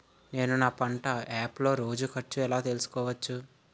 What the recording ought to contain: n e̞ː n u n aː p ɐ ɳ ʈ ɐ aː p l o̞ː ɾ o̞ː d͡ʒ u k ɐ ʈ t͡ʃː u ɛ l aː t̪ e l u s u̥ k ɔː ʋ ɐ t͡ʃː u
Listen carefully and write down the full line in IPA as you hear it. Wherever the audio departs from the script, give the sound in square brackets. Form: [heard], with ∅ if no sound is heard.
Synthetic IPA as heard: n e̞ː n u n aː p ɐ ɳ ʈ ɐ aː p l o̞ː ɾ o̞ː d͡ʒ u k ɐ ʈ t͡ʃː u ɛ l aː t̪ e l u s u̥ k ɔː ʋ ɐ t͡ʃː u